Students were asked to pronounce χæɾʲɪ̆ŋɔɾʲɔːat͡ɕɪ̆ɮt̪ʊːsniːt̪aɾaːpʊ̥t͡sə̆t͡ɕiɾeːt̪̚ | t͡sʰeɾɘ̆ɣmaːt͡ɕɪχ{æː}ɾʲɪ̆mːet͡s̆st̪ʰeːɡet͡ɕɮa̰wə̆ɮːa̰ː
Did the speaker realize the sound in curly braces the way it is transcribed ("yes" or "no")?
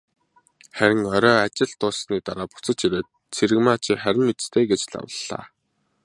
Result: no